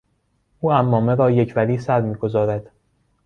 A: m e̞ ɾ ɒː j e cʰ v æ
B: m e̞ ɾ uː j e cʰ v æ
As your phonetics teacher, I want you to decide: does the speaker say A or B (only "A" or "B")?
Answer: A